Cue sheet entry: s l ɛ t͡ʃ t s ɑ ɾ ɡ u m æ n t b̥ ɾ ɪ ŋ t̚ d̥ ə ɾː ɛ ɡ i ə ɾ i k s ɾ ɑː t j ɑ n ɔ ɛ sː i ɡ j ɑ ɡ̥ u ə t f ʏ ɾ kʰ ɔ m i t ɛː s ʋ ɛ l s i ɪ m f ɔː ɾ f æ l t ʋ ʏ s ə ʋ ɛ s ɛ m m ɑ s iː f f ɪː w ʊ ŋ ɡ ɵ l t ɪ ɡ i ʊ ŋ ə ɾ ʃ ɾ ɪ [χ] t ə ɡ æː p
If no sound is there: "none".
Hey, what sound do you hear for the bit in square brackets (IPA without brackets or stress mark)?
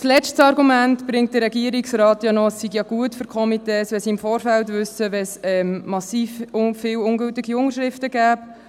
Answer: f